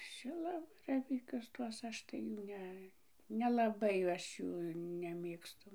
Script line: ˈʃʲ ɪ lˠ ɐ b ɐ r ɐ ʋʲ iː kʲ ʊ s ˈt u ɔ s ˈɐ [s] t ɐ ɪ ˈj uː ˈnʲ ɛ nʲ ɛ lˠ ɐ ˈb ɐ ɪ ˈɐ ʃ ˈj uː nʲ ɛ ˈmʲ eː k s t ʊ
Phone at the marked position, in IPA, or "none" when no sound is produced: ʃ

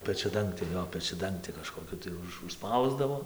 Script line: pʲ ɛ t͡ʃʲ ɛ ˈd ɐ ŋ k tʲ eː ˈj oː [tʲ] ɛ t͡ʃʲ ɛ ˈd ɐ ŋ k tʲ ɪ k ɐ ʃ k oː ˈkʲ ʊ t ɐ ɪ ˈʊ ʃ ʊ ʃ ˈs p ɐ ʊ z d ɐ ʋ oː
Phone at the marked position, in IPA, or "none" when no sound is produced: pʲ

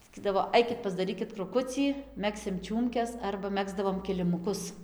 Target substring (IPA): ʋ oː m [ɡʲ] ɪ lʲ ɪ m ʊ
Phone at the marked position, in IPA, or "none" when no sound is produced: kʲ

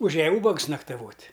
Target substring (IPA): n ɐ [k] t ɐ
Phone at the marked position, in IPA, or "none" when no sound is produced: k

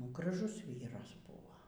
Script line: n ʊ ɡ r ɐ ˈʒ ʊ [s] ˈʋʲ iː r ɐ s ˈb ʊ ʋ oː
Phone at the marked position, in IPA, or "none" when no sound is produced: s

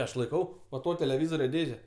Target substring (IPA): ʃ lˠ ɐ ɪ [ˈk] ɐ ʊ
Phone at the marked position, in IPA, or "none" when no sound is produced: k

